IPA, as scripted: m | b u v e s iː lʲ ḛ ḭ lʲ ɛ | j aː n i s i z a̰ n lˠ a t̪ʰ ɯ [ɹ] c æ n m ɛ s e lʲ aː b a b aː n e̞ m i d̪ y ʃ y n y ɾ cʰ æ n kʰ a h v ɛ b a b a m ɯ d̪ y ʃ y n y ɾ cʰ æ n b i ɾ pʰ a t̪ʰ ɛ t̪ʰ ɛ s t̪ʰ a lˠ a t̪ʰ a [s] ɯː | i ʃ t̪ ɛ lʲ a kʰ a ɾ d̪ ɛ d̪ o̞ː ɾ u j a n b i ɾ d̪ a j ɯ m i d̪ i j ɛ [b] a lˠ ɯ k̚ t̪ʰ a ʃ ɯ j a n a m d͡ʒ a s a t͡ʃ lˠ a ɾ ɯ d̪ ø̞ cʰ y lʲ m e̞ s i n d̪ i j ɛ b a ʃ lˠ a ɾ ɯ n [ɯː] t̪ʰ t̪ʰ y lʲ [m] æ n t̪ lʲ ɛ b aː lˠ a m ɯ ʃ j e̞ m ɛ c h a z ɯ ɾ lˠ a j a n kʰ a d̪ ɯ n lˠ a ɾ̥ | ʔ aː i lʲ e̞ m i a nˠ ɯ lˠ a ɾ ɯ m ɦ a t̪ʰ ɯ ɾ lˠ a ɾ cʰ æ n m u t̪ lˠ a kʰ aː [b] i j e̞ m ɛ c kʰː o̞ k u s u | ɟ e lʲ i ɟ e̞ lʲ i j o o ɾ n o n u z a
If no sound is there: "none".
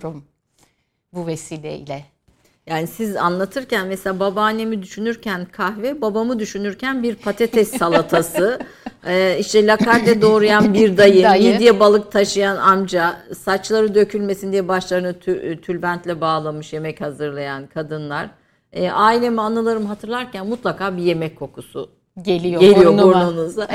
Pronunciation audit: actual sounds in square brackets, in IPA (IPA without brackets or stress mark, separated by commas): ɾ, s, b, ɯ, b, b